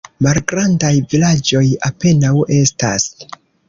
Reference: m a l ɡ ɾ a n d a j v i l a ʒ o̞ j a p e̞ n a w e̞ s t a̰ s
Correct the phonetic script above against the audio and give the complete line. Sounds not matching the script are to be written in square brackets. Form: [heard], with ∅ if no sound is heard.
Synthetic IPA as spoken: m a l ɡ ɾ a n d a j v i l a [d͡ʒ] o̞ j a p e̞ n a w e̞ s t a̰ s

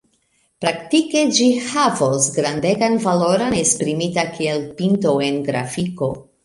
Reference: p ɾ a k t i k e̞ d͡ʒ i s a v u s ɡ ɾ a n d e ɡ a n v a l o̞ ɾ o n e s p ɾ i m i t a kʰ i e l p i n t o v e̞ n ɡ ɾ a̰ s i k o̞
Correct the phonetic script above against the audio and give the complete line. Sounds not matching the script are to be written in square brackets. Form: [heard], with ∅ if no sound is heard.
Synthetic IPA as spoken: p ɾ a k t i k e̞ d͡ʒ i [h] a v [o] s ɡ ɾ a n d e ɡ a n v a l o̞ ɾ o n e s p ɾ i m i t a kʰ i e l p i n t o [∅] e̞ n ɡ ɾ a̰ [f] i k o̞

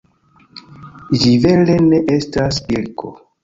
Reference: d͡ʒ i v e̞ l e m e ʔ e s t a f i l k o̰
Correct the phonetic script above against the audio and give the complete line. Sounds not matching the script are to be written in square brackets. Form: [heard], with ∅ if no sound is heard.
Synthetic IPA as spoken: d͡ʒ i v e̞ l e [n] e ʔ e s t a [s] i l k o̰

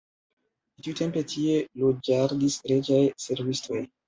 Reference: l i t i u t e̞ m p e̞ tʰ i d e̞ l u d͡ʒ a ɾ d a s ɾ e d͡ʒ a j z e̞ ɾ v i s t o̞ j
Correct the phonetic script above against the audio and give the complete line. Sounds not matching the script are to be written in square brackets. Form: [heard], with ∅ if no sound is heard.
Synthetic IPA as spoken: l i t i u t e̞ m p e̞ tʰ i [∅] e̞ l [o] d͡ʒ a ɾ d [i] s ɾ e d͡ʒ a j [s] e̞ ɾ v i s t o̞ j

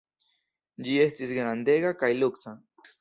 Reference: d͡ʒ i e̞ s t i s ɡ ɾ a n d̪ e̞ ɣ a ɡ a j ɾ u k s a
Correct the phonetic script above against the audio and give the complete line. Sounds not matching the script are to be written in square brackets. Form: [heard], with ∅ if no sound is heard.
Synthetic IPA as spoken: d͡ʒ i e̞ s t i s ɡ ɾ a n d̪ e̞ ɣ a [k] a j [l] u k s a

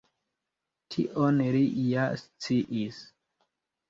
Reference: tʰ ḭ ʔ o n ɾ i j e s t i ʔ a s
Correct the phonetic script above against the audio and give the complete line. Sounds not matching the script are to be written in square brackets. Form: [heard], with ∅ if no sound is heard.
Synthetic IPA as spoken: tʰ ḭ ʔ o n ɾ i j [a] s [t͡s] i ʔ [i] s

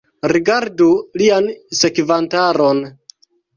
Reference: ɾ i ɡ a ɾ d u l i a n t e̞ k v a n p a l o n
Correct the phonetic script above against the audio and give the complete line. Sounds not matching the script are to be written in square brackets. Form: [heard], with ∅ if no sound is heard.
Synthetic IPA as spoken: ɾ i ɡ a ɾ d u l i a n [s] e̞ k v a n [t] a [ɾ] o n

